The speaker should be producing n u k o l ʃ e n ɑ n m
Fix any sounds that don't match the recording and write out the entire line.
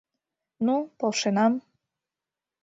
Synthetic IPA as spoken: n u p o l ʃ e n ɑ m